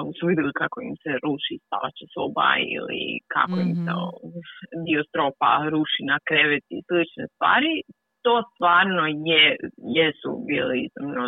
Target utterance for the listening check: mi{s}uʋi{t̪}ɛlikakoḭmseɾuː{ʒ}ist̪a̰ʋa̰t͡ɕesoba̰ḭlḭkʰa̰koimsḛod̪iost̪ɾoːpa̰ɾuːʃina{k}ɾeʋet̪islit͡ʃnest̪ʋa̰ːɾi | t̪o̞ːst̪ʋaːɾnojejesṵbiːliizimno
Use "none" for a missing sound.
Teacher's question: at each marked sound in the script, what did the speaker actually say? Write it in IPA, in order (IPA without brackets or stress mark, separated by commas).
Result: s, d̪, ʃ, k